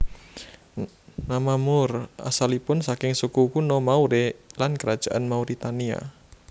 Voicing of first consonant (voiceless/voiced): voiced